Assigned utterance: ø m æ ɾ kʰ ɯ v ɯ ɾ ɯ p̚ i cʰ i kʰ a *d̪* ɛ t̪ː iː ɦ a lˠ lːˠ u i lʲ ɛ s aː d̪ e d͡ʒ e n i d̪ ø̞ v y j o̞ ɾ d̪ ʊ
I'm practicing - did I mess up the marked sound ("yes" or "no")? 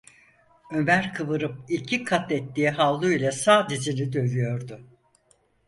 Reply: yes